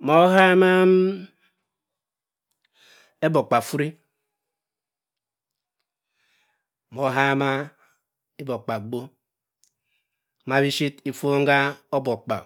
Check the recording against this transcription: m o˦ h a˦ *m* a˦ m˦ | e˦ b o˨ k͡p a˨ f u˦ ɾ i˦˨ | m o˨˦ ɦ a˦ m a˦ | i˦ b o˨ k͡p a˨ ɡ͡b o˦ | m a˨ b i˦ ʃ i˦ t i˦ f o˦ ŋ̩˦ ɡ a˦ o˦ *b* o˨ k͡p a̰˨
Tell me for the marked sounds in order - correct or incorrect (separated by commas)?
correct, correct